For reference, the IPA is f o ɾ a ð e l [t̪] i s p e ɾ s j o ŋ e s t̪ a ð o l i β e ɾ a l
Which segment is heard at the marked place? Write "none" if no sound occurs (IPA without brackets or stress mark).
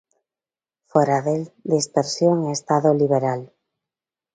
d̪